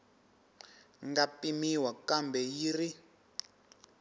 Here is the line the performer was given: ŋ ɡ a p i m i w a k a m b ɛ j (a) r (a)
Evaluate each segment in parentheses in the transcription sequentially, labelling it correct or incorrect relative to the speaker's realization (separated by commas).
incorrect, incorrect